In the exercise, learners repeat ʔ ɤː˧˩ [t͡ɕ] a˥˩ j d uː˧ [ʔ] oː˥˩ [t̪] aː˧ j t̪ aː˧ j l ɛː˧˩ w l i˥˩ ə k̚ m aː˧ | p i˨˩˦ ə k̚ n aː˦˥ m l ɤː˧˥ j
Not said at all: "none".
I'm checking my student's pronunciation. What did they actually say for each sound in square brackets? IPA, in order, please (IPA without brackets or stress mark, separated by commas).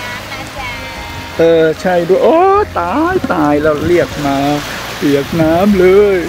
t͡ɕʰ, ʔ, t̪